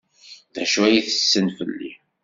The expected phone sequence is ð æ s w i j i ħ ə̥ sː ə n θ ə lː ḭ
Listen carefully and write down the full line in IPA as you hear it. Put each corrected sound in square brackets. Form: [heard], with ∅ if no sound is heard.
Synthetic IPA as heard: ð æ [ʃ] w [æ] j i [θ] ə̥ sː ə n [f] ə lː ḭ